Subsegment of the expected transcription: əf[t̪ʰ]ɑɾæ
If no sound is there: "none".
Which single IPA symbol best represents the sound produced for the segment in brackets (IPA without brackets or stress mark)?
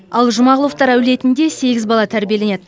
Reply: t̪